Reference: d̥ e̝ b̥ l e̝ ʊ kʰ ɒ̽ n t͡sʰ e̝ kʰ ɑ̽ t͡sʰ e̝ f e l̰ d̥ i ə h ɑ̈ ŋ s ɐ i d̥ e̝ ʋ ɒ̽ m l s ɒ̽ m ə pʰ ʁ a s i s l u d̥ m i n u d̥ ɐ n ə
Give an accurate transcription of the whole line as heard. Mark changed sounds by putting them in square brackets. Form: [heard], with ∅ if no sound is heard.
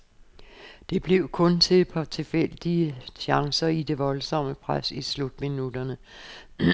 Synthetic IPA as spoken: d̥ e̝ b̥ l e̝ ʊ kʰ [ɔ̽] n t͡sʰ e̝ [pʰ] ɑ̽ t͡sʰ e̝ f e l̰ d̥ i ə [ɕ] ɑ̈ ŋ s ɐ i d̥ e̝ ʋ ɒ̽ [∅] l s ɒ̽ m ə pʰ ʁ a s i s l u d̥ m i n u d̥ ɐ n ə

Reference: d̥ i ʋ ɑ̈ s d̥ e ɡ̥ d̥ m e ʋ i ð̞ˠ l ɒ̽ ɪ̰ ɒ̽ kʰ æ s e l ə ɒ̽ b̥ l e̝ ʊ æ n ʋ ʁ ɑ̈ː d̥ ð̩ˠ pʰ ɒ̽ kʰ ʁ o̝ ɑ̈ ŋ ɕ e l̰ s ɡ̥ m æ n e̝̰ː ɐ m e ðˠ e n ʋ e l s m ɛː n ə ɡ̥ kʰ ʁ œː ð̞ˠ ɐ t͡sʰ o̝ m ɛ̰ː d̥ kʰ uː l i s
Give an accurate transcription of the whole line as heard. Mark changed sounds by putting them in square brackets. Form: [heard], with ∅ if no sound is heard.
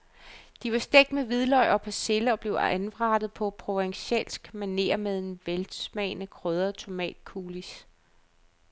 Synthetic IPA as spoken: d̥ i ʋ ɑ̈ s d̥ e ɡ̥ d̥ m e ʋ i ð̞ˠ l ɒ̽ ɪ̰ ɒ̽ [pʰ] æ s e l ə ɒ̽ b̥ l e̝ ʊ æ n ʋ ʁ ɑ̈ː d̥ ð̩ˠ pʰ ɒ̽ [pʰ] ʁ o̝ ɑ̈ ŋ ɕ e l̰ s ɡ̥ m æ n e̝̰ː ɐ m e ðˠ e n ʋ e l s m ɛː n ə [∅] kʰ ʁ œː ð̞ˠ ɐ t͡sʰ o̝ m ɛ̰ː d̥ kʰ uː l i s

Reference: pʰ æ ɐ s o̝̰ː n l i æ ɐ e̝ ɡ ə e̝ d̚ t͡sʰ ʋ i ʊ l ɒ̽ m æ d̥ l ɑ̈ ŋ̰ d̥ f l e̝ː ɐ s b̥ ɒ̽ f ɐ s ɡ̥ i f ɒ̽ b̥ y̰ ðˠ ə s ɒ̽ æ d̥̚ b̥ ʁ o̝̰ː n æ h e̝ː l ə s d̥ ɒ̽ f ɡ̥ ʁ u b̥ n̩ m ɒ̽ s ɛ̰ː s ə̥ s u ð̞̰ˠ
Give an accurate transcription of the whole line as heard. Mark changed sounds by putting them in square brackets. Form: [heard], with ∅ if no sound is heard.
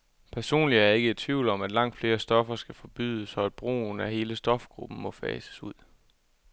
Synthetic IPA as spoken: pʰ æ ɐ s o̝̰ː n l i æ ɐ e̝ ɡ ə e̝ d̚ t͡sʰ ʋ i ʊ l ɒ̽ m æ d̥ l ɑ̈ ŋ̰ d̥ f l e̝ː ɐ s [d̥] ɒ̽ f ɐ s ɡ̥ [æ] f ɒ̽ b̥ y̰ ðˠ ə s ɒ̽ æ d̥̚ b̥ ʁ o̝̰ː n æ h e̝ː l ə s d̥ ɒ̽ f ɡ̥ ʁ u b̥ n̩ m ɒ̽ [f] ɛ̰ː s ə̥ s u ð̞̰ˠ

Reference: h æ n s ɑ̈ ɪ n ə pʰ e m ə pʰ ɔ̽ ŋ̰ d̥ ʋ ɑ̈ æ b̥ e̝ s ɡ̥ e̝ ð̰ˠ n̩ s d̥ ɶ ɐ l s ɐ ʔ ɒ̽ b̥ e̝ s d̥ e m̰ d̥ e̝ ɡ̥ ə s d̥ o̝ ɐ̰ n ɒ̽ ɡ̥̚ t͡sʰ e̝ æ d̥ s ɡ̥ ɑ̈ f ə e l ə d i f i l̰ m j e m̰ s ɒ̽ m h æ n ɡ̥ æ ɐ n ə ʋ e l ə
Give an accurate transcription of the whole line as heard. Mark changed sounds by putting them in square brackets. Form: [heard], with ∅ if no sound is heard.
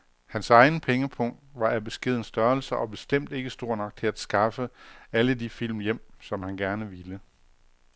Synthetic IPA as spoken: h æ n s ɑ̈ ɪ n ə pʰ e [ŋ] ə pʰ ɔ̽ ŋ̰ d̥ ʋ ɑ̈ æ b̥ e̝ s ɡ̥ e̝ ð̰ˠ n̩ s d̥ ɶ ɐ l s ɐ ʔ ɒ̽ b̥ e̝ s d̥ e m̰ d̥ e̝ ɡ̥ ə s d̥ o̝ ɐ̰ n ɒ̽ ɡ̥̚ t͡sʰ e̝ æ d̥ s ɡ̥ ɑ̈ f ə [æ] l ə d i f i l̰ m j e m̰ s ɒ̽ m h æ n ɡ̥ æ ɐ n ə ʋ [i] l ə

